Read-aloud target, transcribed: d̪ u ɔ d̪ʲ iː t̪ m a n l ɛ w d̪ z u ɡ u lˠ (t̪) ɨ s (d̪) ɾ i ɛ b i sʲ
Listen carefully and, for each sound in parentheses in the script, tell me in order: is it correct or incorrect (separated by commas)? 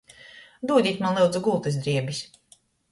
correct, correct